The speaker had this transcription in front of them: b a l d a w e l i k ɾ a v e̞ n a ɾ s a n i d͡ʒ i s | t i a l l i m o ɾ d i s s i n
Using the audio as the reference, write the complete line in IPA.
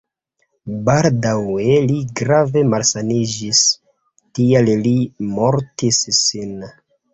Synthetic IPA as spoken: b a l d a w e l i ɡ ɾ a v e̞ m a l s a n i d͡ʒ i s | t i a l l i m o ɾ t i s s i n